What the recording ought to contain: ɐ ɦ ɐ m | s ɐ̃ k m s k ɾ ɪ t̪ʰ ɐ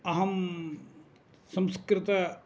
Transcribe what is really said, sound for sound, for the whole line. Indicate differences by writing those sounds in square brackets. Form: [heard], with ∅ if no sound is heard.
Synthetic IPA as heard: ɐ ɦ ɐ m | s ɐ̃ [∅] m s k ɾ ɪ [t̪] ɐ